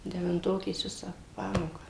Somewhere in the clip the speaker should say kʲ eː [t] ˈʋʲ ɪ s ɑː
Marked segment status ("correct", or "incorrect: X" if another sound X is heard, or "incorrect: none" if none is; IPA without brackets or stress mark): incorrect: s